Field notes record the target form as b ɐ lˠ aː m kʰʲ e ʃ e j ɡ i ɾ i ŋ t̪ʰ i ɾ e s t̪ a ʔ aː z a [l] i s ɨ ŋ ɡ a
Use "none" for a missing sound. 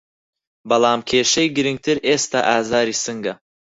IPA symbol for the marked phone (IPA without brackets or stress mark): ɾ